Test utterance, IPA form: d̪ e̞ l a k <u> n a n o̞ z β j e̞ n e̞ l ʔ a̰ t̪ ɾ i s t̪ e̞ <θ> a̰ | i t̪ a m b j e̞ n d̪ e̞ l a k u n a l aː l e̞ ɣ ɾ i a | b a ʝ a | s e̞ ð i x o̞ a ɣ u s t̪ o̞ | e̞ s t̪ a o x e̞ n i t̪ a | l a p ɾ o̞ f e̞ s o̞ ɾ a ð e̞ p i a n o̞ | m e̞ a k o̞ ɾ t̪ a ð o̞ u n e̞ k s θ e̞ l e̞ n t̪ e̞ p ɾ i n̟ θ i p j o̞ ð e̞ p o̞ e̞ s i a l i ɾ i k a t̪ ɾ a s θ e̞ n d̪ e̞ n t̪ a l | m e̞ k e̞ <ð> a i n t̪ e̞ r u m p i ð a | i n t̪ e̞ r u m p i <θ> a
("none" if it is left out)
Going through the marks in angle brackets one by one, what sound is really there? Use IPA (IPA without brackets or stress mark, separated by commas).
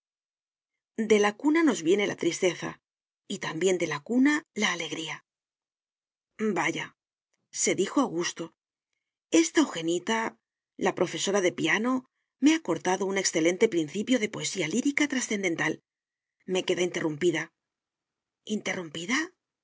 u, θ, ð, ð